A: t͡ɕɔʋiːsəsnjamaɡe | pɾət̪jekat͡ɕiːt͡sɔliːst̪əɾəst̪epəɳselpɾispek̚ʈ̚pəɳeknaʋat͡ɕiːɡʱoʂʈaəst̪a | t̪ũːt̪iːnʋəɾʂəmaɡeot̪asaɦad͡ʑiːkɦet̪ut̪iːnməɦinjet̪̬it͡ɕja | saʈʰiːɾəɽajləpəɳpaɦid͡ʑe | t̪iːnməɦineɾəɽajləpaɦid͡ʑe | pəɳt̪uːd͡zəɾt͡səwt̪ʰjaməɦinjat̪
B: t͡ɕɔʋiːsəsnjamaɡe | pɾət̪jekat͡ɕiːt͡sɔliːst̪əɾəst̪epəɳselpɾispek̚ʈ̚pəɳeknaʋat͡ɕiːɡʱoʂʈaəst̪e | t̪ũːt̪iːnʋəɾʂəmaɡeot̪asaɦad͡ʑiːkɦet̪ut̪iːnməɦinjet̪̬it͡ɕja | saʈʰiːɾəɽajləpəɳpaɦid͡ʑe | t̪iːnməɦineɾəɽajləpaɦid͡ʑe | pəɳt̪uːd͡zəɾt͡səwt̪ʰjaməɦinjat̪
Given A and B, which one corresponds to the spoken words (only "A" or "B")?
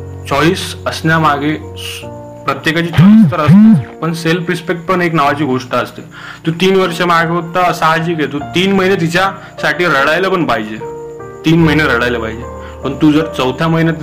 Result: B